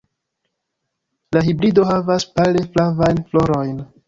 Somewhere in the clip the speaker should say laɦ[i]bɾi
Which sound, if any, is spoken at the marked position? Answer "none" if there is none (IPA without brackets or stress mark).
i